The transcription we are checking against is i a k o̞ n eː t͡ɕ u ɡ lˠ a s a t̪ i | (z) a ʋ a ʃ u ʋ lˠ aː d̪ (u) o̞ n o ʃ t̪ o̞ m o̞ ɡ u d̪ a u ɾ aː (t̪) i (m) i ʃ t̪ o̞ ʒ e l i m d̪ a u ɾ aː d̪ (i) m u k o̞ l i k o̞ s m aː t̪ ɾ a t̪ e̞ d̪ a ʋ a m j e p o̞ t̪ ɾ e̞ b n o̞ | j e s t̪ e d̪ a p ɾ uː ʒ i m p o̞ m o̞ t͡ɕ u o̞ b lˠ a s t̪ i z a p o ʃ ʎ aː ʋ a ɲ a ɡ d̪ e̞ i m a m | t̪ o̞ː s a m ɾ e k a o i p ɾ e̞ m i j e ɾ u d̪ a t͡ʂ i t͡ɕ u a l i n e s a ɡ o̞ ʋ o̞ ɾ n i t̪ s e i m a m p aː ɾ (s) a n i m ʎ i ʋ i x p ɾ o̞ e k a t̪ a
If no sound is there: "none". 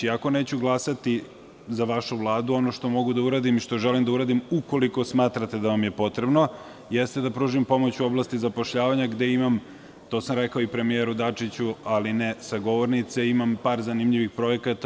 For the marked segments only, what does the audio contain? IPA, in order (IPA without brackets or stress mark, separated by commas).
z, u, d̪, m, i, z